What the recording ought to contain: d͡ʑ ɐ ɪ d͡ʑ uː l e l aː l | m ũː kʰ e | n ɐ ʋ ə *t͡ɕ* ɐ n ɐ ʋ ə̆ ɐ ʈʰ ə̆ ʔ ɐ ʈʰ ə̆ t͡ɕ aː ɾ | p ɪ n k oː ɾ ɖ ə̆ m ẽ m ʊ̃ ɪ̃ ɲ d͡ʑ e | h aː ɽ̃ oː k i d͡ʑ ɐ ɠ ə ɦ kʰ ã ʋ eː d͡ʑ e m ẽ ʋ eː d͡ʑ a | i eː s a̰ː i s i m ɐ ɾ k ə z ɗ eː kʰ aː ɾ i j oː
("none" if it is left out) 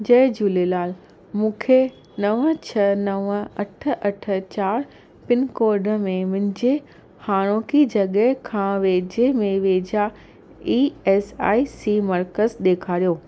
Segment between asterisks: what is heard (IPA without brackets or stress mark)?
t͡ɕʰ